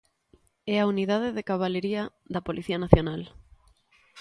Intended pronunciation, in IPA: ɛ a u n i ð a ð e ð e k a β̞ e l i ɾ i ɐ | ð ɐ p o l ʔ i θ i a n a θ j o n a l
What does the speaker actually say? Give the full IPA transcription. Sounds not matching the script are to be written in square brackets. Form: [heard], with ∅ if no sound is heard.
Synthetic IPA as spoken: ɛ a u n i ð a ð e ð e k a β̞ [a] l [e] ɾ i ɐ | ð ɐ p o l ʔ i θ i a n a θ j o n a l